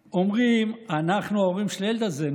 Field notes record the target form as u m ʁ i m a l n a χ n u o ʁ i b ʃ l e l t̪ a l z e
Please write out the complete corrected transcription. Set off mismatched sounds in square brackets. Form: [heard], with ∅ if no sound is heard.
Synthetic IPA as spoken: [o] m ʁ i m a [∅] n a χ n u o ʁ i [m] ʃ l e l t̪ a [∅] z e